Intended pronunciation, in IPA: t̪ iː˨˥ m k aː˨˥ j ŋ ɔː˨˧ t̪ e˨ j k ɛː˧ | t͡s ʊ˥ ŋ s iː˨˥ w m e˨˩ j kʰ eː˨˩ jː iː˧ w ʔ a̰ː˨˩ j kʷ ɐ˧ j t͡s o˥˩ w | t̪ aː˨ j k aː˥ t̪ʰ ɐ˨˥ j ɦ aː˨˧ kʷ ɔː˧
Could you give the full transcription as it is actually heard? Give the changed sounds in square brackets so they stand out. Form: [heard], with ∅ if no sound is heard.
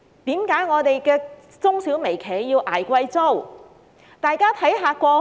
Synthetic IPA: t̪ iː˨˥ m k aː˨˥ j ŋ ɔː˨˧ t̪ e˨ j k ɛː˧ | t͡s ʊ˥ ŋ s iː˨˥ w m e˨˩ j kʰ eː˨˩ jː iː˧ w ʔ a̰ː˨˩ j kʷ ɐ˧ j t͡s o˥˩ w | t̪ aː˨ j k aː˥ t̪ʰ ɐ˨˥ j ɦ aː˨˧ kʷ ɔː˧